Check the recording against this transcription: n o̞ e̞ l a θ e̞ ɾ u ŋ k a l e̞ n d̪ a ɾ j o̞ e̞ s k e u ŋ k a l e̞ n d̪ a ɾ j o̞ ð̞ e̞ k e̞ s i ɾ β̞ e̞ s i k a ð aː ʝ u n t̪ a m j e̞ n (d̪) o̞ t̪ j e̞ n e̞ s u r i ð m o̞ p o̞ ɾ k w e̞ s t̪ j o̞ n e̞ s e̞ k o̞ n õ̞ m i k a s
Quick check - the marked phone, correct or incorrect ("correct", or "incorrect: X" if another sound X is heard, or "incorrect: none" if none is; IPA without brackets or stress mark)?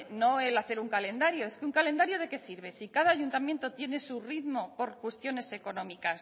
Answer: incorrect: t̪